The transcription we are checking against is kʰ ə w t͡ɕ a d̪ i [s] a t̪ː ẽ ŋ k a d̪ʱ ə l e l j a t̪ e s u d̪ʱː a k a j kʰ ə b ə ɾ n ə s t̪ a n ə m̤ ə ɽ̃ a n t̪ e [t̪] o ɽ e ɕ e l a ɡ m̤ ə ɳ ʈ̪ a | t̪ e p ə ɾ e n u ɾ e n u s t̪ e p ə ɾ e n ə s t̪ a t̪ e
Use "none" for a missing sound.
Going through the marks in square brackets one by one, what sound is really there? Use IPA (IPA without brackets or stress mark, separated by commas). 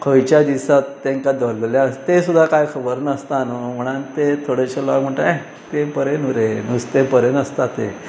s, t̪ʰ